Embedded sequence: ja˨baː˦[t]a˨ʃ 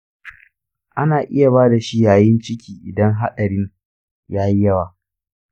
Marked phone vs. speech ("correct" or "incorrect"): incorrect